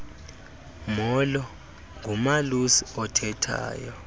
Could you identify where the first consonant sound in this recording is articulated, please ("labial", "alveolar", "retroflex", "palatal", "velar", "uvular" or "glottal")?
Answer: labial